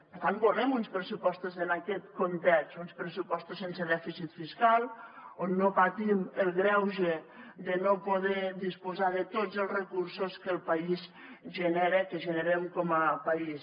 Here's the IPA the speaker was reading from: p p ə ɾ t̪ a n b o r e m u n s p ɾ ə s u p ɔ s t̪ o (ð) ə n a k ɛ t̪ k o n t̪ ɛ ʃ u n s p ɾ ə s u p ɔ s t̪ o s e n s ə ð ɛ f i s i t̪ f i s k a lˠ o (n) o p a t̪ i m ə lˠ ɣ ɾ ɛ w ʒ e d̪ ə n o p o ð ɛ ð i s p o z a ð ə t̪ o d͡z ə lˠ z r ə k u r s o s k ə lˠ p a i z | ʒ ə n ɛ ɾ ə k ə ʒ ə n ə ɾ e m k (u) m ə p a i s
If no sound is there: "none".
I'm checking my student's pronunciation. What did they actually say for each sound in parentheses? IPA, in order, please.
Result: z, nː, ɔ

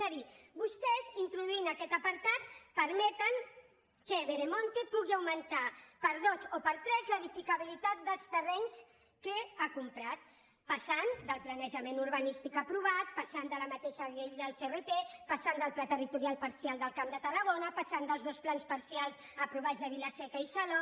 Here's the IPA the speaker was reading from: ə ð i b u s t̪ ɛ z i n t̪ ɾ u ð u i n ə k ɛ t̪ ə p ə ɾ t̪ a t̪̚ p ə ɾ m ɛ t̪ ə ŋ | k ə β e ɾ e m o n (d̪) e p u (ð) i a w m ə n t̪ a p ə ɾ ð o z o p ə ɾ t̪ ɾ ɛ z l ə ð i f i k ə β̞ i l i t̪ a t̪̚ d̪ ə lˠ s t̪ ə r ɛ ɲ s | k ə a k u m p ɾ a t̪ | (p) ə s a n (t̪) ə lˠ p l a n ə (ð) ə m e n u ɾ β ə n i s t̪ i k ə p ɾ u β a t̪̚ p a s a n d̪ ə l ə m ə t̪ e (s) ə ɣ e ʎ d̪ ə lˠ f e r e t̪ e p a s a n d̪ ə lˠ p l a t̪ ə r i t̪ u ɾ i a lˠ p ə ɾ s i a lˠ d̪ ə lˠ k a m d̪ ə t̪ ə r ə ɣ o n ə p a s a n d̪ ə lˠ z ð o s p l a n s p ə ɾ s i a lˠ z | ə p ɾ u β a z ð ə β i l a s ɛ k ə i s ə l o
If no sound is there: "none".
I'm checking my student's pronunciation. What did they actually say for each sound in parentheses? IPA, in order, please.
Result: t̪, ɣ, p, d̪, ʒ, ʃ

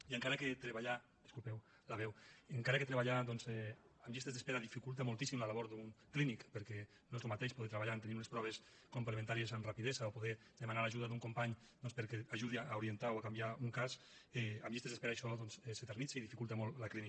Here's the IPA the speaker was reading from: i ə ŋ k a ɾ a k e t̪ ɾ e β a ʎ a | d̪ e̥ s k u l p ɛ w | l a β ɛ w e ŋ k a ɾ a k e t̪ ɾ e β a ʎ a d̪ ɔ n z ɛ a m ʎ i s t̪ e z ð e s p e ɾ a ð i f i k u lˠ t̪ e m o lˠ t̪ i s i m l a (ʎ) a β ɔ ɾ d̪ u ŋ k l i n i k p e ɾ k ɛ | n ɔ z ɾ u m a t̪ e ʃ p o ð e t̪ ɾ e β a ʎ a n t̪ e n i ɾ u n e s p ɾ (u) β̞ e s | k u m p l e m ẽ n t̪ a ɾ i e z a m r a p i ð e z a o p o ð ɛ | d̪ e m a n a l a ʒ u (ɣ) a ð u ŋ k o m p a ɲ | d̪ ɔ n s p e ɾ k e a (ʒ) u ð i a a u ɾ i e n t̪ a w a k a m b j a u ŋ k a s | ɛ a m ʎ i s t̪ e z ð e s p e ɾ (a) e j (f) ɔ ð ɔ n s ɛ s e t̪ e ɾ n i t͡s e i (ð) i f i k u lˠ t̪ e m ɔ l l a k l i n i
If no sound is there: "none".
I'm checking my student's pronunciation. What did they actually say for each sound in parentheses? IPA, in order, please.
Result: l, ɔ, ð, ʒ, a, ʃ, ð

